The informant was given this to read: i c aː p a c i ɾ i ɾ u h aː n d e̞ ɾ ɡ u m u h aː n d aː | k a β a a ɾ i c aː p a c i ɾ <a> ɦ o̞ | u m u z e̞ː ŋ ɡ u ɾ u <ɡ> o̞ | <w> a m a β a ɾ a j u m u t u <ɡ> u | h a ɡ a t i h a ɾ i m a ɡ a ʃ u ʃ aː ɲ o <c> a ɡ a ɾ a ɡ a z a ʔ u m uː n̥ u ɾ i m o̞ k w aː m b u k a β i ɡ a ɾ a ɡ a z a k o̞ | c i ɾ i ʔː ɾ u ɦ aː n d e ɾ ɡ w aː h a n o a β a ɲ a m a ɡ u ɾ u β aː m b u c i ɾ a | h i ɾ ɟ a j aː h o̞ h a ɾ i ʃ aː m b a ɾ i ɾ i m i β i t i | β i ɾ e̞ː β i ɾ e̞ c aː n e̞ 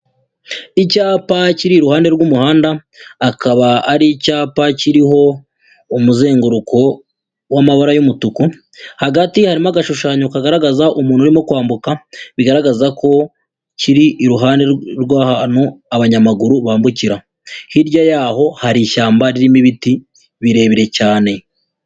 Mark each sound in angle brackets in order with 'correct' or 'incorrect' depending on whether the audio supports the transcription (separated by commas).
incorrect, incorrect, correct, incorrect, incorrect